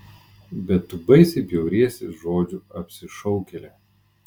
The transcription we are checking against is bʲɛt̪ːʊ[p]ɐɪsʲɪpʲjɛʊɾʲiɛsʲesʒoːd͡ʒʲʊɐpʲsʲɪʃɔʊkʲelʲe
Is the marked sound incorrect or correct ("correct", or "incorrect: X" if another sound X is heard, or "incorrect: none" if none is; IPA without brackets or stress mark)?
incorrect: b